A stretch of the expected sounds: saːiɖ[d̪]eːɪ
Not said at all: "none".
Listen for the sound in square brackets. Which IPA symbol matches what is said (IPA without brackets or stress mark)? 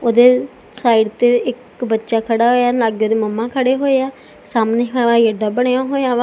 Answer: t̪